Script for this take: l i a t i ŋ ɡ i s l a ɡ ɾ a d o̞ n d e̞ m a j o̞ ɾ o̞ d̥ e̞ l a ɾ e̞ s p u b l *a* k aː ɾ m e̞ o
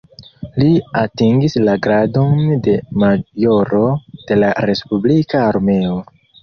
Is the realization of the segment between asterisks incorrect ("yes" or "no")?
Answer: yes